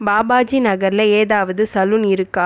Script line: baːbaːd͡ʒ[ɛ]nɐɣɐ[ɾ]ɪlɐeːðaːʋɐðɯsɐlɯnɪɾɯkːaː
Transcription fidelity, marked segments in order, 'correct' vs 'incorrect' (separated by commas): incorrect, correct